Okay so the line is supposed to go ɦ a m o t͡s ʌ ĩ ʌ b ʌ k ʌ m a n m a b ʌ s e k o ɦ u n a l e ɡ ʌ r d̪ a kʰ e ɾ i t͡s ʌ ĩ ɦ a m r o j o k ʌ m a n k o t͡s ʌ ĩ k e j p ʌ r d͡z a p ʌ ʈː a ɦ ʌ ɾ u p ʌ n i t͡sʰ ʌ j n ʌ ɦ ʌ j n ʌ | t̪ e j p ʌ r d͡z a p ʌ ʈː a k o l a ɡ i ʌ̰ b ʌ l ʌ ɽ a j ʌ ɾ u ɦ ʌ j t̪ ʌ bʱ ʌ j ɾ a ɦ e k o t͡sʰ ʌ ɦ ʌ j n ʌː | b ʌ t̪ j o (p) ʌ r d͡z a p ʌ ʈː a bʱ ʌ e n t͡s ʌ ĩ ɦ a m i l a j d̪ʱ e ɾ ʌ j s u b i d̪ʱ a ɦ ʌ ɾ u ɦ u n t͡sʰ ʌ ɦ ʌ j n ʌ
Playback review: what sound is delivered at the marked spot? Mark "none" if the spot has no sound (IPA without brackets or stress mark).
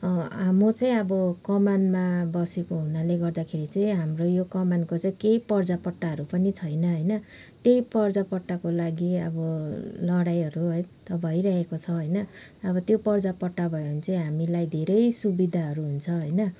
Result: p